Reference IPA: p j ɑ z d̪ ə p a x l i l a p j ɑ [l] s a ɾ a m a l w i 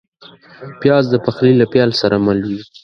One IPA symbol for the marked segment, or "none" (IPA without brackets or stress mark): l